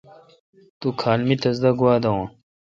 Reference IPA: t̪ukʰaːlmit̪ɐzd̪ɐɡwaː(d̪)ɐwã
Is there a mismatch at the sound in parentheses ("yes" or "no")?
no